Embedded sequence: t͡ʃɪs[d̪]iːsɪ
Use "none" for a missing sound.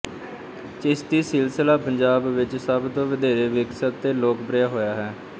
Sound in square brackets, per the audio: t̪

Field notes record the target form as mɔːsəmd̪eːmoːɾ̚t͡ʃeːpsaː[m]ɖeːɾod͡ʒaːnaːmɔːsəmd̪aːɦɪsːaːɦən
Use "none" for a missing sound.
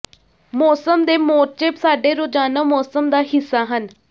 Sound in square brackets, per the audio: none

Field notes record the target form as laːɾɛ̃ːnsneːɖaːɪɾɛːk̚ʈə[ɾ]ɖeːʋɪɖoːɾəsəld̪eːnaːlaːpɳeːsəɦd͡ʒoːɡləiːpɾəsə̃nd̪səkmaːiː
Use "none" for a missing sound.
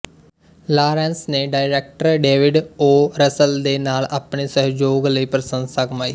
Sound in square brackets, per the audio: ɾ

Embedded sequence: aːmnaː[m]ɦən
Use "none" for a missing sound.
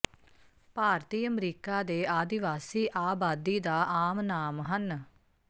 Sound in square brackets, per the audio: m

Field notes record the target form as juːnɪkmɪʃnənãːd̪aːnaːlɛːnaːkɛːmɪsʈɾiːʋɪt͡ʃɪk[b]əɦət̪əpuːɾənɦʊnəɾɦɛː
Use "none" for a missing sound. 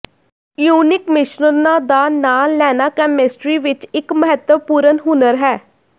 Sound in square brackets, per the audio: m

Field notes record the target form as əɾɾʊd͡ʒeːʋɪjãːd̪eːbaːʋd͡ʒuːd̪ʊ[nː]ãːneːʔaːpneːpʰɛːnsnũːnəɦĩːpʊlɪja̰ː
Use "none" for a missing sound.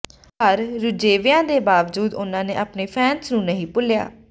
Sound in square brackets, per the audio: n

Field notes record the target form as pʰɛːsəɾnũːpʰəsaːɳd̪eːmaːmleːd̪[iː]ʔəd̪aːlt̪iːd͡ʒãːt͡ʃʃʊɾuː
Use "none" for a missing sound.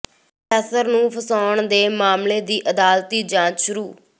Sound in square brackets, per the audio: iː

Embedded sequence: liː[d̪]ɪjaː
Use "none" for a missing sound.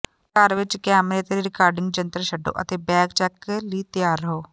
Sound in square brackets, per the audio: t̪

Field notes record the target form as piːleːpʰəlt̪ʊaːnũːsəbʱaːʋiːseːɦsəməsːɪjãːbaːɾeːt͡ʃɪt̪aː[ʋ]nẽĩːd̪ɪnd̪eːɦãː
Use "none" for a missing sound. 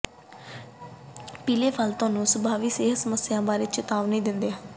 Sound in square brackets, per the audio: ʋ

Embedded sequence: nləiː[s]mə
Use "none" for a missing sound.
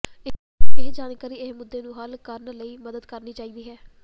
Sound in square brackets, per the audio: none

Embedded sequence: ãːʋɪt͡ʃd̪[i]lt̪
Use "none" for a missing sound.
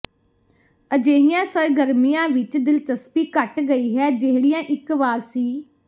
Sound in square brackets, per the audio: ɪ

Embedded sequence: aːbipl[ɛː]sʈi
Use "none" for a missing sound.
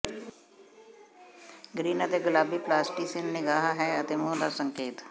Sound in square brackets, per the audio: aː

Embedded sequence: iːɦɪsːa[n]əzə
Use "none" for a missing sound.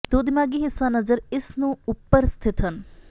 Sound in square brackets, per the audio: n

